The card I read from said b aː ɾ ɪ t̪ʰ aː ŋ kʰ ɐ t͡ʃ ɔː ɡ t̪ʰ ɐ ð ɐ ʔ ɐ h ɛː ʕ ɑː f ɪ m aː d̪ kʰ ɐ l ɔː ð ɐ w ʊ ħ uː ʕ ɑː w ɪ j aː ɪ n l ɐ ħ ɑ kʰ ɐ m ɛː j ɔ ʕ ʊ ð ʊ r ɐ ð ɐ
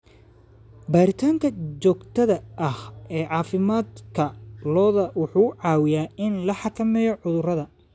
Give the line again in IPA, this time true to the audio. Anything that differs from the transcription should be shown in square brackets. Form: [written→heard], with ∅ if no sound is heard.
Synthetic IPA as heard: b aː ɾ ɪ t̪ʰ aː ŋ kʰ ɐ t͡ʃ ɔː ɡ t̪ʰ ɐ ð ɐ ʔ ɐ h ɛː ʕ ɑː f ɪ m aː d̪ kʰ ɐ l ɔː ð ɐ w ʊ ħ uː ʕ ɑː w ɪ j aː ɪ n l ɐ ħ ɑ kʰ ɐ m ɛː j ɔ ʕ ʊ ð ʊ r ɐ ð ɐ